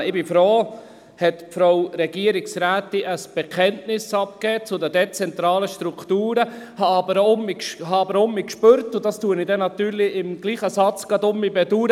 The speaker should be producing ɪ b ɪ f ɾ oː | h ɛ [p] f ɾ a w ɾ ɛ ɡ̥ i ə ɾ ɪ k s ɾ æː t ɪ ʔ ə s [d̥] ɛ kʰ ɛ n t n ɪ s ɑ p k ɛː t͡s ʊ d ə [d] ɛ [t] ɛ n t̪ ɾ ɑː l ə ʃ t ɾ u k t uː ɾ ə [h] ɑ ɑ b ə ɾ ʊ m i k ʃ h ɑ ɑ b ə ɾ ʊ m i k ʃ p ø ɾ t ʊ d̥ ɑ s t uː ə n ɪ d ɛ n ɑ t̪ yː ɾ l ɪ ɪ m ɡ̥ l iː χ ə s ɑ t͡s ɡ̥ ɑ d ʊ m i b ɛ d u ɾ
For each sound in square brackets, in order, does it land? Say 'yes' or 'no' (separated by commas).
no, no, yes, no, yes